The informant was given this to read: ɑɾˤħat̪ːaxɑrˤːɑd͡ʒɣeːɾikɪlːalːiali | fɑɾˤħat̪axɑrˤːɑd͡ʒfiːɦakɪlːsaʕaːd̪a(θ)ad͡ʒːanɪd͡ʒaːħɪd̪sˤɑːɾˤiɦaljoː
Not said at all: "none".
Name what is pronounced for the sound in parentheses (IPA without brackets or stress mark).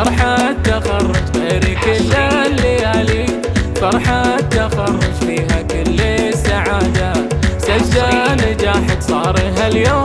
s